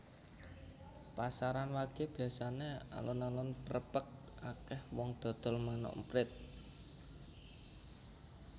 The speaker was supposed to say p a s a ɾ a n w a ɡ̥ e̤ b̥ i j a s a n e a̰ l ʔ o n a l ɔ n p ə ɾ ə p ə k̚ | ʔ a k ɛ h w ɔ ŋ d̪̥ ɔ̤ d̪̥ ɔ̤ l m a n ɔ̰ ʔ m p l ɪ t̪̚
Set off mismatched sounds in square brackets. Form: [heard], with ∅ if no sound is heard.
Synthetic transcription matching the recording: p a s a ɾ a n w a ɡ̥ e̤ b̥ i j a s a n e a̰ l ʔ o n a l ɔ n p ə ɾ ə p ə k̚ | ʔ a k ɛ h w ɔ ŋ d̪̥ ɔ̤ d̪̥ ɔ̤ l m a n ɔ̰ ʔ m p [ɾ] ɪ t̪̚